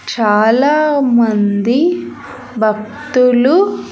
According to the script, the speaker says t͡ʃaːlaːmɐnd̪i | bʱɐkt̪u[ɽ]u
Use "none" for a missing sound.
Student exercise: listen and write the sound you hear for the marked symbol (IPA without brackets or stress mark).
l